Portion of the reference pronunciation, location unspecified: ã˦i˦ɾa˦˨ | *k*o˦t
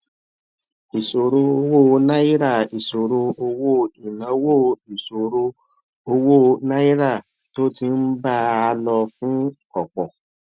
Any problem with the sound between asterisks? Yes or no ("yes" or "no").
yes